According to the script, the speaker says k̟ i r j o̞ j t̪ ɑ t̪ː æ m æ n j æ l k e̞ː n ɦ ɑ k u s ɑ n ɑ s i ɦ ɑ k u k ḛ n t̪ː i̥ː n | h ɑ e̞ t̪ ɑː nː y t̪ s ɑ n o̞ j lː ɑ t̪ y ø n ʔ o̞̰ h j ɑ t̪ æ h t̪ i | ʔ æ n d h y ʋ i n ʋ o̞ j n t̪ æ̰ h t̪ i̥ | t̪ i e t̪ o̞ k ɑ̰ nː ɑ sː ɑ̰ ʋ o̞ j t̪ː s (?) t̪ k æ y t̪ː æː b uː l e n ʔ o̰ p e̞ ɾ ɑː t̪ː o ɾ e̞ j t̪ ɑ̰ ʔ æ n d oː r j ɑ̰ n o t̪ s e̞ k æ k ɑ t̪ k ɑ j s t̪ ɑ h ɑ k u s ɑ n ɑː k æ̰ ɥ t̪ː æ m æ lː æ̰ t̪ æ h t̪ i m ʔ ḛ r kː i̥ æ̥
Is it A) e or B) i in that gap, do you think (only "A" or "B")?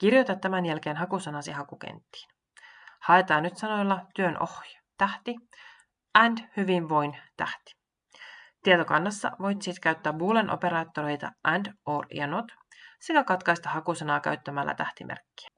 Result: B